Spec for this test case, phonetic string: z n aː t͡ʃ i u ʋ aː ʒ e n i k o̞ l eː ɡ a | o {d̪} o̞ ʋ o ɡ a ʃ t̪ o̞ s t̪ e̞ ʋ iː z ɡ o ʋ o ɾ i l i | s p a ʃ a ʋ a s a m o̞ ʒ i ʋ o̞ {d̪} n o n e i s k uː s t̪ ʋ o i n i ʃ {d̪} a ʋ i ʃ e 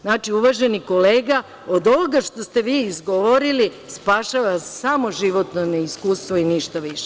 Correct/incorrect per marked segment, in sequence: correct, incorrect, incorrect

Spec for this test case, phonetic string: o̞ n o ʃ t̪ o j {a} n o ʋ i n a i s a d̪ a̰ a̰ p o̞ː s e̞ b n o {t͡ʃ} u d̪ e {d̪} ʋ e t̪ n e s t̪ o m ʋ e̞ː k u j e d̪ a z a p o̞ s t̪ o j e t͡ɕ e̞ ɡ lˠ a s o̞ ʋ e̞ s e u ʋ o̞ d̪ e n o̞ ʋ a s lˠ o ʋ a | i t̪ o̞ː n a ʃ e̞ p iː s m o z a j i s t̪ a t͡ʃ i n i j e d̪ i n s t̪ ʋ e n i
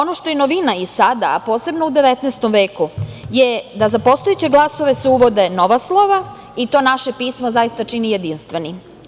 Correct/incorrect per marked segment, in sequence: incorrect, incorrect, incorrect

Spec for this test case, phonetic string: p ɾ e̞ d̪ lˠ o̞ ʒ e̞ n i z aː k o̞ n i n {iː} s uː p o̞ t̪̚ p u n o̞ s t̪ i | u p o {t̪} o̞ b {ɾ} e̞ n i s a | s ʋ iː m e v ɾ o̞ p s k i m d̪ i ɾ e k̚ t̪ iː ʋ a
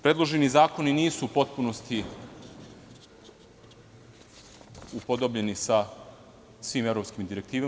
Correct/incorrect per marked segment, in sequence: correct, incorrect, incorrect

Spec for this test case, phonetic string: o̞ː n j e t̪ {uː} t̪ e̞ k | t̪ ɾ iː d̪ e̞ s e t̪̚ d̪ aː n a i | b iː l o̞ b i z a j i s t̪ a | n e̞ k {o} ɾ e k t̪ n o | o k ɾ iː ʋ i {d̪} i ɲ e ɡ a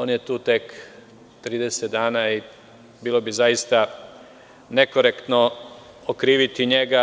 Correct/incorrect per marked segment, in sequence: correct, correct, incorrect

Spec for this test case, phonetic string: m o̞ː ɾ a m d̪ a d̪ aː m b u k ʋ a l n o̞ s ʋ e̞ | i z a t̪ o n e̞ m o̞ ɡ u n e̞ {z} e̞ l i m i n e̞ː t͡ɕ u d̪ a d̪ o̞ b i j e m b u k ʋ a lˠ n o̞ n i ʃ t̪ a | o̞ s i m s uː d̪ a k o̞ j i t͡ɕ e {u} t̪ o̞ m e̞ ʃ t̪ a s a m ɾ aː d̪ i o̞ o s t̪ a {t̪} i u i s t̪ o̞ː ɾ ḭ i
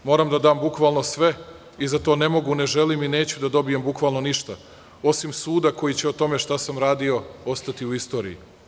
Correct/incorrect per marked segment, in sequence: incorrect, incorrect, correct

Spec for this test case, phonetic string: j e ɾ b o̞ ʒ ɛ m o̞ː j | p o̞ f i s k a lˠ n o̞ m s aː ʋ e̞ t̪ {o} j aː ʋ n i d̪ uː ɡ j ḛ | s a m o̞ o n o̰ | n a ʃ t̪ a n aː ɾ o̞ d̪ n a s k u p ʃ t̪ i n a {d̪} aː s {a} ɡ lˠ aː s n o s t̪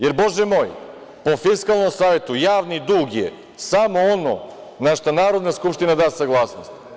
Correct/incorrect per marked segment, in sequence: incorrect, correct, correct

